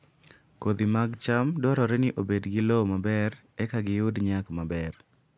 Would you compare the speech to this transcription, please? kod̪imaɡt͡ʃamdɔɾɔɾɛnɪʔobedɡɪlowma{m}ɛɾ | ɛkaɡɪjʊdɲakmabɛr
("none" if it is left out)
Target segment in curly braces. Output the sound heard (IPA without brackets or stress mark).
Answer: b